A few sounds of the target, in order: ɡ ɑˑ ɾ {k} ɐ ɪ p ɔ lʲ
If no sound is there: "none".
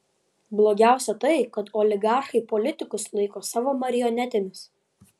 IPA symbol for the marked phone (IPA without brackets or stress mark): x